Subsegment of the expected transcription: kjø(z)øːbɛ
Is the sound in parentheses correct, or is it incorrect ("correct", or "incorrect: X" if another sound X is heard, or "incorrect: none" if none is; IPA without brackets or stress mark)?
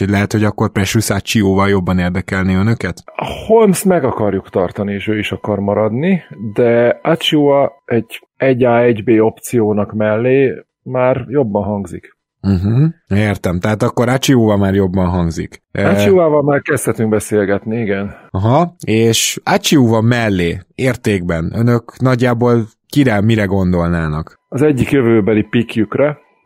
incorrect: v